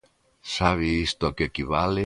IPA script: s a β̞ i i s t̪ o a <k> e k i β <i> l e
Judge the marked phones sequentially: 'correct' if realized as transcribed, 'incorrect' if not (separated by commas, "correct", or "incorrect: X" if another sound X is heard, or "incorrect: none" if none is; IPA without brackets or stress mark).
correct, incorrect: a